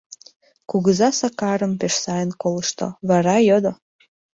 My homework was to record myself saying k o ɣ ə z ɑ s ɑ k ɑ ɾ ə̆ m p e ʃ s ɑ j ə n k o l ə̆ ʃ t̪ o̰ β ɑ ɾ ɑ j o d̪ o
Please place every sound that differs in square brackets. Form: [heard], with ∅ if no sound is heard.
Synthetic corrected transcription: k [u] ɣ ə z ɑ s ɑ k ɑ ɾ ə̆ m p e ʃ s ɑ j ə n k o l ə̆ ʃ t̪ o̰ β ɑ ɾ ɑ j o d̪ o